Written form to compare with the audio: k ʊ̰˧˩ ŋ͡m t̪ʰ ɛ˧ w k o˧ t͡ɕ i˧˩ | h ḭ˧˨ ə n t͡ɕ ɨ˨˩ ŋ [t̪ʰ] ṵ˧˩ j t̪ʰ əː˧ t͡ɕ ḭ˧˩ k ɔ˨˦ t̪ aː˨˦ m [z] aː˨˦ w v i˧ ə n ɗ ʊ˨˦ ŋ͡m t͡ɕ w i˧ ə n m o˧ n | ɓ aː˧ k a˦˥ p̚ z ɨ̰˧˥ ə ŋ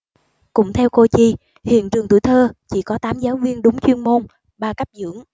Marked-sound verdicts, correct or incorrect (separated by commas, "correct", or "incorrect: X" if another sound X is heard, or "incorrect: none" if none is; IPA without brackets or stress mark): incorrect: t̪, correct